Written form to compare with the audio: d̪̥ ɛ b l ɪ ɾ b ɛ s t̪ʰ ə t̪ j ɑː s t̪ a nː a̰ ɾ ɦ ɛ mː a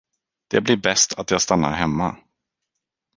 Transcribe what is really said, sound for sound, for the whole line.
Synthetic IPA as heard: d̪̥ ɛ b l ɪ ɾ b ɛ s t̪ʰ a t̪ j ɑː s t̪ a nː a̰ ɾ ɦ ɛ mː a